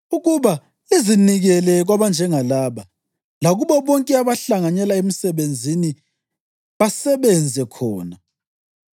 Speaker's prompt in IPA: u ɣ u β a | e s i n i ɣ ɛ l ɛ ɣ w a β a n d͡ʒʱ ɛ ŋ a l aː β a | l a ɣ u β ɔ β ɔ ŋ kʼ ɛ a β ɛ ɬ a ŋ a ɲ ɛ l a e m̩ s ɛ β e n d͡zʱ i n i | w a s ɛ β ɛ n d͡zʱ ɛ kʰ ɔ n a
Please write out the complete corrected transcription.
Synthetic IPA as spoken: u ɣ u β a | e z i n i ɣ ɛ l ɛ ɣ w a β a n d͡ʒʱ ɛ ŋ a l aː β a | l a ɣ u β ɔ β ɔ ŋ kʼ ɛ a β a ɬ a ŋ a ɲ ɛ l a e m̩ s ɛ β e n d͡zʱ i n i | β a s ɛ β ɛ n d͡zʱ ɛ kʰ ɔː n a